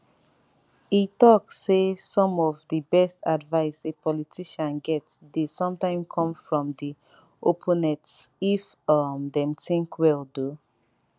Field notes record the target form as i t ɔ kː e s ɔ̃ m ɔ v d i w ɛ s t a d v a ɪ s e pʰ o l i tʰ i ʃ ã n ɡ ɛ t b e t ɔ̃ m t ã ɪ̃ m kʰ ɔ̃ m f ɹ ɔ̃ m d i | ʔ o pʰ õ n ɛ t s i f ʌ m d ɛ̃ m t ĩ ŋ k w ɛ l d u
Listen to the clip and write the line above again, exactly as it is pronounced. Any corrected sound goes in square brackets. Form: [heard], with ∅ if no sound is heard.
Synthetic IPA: i t ɔ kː e s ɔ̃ m ɔ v d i [b] ɛ s t a d v a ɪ s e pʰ [ɔ] l i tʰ i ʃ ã n ɡ ɛ t [d] e [s] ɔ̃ m t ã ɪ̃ m kʰ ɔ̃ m f ɹ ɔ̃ m d i | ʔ o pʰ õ n ɛ t s i f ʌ m d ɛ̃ m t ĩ ŋ k w ɛ l d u